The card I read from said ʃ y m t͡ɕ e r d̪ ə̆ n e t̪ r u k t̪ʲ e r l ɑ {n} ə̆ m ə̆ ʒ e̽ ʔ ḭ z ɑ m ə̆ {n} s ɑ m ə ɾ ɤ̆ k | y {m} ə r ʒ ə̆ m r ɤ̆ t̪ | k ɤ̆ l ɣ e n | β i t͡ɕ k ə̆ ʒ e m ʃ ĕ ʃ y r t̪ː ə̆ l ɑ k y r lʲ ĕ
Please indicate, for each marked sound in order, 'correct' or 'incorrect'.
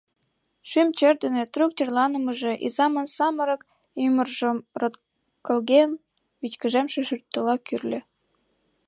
correct, correct, correct

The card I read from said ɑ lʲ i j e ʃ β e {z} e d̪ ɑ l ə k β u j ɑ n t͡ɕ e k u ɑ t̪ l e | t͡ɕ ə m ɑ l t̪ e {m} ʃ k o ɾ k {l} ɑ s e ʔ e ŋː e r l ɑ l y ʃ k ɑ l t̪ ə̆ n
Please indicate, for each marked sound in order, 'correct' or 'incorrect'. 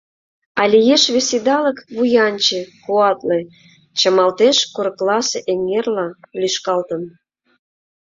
incorrect: s, incorrect: none, correct

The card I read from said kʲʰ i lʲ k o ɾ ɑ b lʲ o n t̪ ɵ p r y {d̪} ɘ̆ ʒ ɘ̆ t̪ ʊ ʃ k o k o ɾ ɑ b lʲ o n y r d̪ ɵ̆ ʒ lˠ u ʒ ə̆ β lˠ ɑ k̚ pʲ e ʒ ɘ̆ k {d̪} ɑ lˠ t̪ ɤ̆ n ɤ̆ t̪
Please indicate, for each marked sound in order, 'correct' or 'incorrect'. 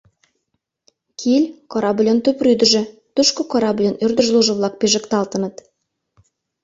correct, incorrect: t̪

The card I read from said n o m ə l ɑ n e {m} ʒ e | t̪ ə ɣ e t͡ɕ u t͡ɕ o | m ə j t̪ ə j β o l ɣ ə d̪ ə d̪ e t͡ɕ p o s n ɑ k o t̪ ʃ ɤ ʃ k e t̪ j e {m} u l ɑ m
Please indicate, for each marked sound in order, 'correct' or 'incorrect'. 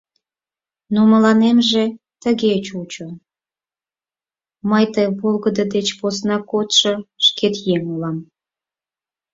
correct, incorrect: ŋ

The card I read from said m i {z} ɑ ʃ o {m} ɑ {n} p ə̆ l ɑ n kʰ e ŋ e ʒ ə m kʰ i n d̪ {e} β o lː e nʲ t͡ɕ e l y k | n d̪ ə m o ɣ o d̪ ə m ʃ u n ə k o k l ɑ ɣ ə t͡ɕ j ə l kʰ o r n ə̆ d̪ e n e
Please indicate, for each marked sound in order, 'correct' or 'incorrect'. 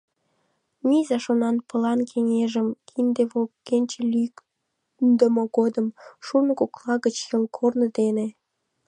correct, incorrect: n, correct, correct

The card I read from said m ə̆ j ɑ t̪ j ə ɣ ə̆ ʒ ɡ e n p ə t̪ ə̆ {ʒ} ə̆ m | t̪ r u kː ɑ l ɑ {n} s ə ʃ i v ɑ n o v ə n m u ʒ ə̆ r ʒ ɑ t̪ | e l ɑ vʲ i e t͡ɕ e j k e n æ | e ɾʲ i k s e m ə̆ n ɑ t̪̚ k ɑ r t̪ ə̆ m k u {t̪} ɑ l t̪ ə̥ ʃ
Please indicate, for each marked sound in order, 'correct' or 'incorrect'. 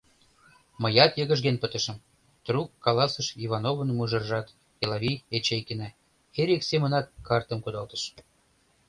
incorrect: ʃ, incorrect: none, incorrect: d̪

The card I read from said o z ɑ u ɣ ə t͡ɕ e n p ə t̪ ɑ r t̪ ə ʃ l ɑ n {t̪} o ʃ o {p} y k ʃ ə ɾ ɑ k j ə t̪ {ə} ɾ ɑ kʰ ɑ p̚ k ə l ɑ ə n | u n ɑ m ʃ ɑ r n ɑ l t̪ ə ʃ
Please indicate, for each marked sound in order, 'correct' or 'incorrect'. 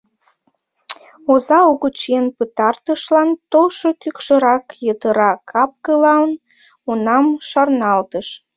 correct, incorrect: k, correct

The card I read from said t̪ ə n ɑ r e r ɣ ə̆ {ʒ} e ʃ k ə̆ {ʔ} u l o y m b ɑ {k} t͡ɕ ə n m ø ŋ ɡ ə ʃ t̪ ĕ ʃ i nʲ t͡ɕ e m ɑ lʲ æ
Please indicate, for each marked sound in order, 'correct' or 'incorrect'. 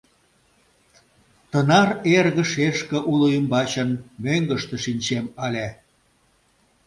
incorrect: ʃ, correct, incorrect: none

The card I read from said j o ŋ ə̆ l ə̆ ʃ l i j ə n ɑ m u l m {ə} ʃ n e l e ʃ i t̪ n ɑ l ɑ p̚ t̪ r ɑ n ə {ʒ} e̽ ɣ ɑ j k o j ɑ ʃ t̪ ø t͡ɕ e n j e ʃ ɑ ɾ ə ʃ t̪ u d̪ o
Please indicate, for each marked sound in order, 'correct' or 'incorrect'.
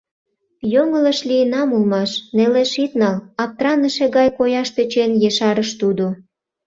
incorrect: ɑ, incorrect: ʃ

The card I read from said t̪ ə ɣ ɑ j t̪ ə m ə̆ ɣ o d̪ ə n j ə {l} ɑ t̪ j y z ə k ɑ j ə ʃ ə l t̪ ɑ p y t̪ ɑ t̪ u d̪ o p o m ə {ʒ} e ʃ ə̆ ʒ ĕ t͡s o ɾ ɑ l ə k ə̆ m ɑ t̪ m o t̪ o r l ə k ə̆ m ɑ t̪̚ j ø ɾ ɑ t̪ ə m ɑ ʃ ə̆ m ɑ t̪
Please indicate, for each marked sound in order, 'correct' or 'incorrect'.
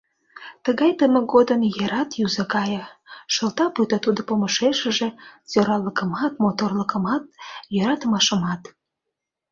incorrect: ɾ, incorrect: ʃ

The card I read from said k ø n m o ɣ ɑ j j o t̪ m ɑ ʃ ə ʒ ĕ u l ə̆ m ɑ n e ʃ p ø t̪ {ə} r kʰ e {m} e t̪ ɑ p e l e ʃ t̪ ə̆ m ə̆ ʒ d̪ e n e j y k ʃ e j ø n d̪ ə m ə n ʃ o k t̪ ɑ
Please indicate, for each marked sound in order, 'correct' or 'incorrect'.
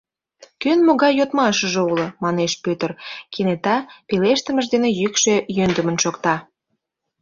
correct, incorrect: n

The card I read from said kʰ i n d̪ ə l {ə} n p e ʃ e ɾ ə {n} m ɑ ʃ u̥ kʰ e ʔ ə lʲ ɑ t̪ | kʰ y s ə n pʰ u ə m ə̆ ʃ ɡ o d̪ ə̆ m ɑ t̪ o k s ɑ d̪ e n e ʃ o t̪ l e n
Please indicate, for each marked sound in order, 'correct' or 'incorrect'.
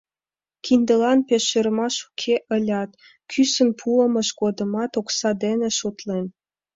incorrect: ɑ, incorrect: none

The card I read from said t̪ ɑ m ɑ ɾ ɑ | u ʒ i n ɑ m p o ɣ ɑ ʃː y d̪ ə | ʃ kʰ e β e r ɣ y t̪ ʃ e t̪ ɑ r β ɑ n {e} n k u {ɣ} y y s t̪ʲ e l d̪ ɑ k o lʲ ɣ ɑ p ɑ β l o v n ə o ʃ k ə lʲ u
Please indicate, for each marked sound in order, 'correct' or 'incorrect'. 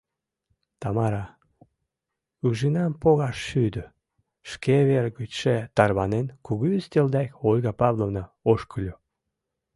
correct, correct

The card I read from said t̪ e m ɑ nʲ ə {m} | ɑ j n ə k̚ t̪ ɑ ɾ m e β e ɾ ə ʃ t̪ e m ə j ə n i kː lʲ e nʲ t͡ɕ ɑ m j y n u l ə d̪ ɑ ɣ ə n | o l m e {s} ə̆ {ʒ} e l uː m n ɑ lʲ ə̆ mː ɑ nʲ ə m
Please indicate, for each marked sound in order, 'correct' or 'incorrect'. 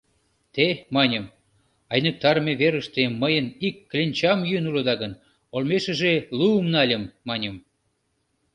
correct, incorrect: ʃ, correct

